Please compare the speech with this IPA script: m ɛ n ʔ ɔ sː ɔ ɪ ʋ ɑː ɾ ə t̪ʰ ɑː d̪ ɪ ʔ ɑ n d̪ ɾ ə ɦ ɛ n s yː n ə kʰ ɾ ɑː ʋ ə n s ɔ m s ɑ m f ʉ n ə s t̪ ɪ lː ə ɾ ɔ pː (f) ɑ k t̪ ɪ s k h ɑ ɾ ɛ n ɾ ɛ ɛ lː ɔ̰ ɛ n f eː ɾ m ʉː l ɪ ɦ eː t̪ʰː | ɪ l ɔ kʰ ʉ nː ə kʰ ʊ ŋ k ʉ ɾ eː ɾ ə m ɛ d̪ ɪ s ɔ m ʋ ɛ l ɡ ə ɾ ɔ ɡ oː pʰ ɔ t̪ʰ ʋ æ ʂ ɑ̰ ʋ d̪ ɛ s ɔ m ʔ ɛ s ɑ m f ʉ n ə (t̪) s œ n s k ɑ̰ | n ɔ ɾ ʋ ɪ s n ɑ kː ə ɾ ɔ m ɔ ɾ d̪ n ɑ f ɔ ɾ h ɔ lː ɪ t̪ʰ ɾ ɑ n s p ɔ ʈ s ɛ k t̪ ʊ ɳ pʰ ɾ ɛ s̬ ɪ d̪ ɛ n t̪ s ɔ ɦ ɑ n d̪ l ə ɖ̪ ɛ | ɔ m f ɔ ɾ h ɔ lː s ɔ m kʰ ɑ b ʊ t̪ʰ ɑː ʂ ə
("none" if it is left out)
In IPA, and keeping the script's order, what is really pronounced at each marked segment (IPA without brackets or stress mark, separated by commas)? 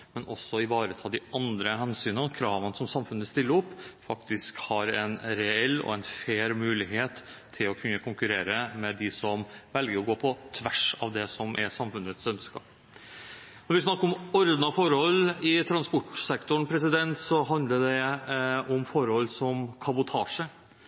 f, t̪